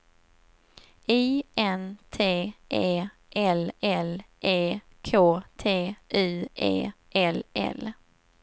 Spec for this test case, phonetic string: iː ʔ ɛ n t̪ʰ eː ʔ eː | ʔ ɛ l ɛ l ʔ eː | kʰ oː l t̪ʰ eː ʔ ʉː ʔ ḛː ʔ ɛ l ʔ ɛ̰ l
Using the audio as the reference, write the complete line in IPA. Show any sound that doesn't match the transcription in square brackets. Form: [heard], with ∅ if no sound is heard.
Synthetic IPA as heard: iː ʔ ɛ n t̪ʰ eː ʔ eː | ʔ ɛ l ɛ l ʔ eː | kʰ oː [∅] t̪ʰ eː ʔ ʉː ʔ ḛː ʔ ɛ l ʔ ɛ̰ l